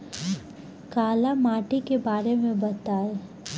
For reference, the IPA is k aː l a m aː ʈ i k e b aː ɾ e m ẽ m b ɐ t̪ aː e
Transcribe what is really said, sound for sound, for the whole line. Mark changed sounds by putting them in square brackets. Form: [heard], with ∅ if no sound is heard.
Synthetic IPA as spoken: k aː l a m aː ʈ i k e b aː ɾ e m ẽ [∅] b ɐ t̪ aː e